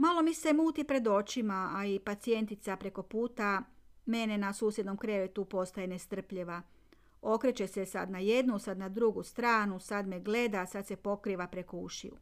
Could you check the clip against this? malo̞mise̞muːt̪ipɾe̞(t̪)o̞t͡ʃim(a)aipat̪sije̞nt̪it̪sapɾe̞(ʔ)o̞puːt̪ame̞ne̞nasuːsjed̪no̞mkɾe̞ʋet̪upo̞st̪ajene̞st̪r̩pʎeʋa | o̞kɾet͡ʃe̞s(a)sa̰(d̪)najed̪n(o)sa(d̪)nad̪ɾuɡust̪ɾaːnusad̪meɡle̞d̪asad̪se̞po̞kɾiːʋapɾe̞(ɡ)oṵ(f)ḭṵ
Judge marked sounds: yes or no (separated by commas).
no, yes, no, no, yes, no, yes, no, no